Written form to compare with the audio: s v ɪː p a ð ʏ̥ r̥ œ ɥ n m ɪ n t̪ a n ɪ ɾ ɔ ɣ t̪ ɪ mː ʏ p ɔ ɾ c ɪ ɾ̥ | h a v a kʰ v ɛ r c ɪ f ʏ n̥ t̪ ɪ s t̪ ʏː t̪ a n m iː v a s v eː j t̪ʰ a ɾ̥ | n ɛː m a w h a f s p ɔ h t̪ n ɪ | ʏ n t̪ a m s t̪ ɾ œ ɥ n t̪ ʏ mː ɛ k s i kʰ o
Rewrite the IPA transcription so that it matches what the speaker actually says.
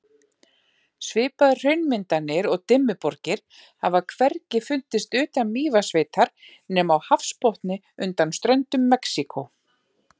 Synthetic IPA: s v ɪː p a ð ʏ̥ r̥ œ ɥ n m ɪ n t̪ a n ɪ ɾ ɔ ɣ t̪ ɪ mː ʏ p ɔ ɾ c ɪ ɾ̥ | h a v a kʰ v ɛ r c ɪ f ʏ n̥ t̪ ɪ s t̪ ʏː t̪ a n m iː v a s v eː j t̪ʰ a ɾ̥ | n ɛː m a w h a f s p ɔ h t̪ n ɪ | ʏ n t̪ a n s t̪ ɾ œ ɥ n t̪ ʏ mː ɛ k s i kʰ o